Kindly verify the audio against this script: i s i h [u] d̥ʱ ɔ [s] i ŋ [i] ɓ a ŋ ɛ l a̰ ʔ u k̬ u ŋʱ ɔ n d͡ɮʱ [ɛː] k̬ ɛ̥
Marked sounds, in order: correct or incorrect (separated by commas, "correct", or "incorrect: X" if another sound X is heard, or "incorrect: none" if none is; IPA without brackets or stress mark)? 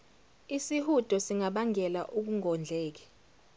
correct, correct, incorrect: a, correct